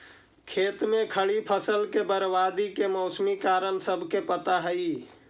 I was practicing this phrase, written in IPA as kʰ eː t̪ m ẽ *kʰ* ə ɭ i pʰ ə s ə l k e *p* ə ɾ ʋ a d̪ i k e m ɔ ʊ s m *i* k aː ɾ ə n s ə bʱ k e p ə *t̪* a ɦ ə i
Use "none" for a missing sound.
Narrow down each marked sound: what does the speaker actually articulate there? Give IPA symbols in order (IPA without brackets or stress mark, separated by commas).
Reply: kʰ, b, i, t̪